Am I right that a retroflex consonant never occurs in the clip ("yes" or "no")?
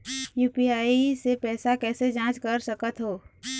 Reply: yes